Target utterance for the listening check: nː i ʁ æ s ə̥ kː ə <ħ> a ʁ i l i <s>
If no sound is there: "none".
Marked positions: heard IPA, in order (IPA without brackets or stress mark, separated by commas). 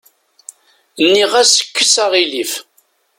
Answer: s, f